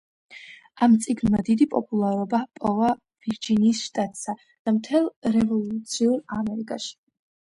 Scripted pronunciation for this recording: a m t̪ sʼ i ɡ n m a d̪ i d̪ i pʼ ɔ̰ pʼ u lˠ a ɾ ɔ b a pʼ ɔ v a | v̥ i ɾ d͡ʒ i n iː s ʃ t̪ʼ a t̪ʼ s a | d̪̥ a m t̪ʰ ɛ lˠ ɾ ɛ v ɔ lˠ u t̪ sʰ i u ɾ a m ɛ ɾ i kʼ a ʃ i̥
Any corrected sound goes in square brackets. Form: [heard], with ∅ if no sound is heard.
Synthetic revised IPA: a m t̪ sʼ i ɡ n m a d̪ i d̪ i pʼ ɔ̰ pʼ u lˠ a ɾ ɔ b a pʼ ɔ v a | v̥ i ɾ d͡ʒ i n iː s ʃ t̪ʼ a t̪ʼ s a | d̪̥ a m t̪ʰ ɛ lˠ ɾ ɛ v ɔ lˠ u t̪ sʰ i u ɾ a m ɛ ɾ i kʼ a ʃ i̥